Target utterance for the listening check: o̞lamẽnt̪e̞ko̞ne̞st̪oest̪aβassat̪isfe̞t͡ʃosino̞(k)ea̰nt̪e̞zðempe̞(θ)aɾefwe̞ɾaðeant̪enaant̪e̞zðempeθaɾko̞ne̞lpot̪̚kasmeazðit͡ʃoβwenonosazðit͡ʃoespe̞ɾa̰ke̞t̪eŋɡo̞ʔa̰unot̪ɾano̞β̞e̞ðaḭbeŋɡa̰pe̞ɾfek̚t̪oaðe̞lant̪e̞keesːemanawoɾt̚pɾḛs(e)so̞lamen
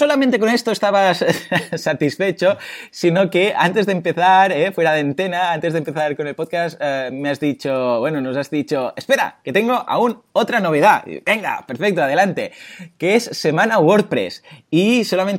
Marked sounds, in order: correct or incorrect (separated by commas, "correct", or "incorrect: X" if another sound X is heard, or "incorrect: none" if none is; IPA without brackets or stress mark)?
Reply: correct, correct, incorrect: i